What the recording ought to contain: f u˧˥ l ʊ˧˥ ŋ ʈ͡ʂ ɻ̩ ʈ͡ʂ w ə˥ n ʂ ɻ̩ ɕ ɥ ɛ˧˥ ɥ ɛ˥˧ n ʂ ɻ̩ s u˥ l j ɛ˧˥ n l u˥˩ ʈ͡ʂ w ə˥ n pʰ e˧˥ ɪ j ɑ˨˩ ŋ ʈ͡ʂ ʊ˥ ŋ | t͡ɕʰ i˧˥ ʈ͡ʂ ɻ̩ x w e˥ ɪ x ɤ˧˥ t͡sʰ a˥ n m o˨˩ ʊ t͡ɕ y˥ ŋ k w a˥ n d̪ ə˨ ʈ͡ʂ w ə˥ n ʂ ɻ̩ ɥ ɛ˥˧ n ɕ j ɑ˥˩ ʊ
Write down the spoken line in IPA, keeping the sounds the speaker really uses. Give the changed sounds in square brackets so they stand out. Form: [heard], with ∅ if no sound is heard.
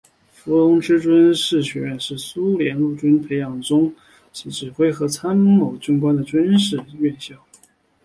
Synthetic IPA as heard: f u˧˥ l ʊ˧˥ ŋ ʈ͡ʂ ɻ̩ ʈ͡ʂ w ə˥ n ʂ ɻ̩ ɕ ɥ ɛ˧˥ ɥ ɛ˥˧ n ʂ ɻ̩ s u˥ l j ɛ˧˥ n l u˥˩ ʈ͡ʂ w ə˥ n pʰ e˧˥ ɪ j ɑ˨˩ ŋ ʈ͡ʂ ʊ˥ ŋ | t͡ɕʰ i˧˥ ʈ͡ʂ ɻ̩ x w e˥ ɪ x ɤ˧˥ t͡sʰ a˥ n m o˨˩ ʊ t͡ɕ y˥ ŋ k w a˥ n d̪ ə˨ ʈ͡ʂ w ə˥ n ʂ ɻ̩ ɥ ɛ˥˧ n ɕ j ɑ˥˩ ʊ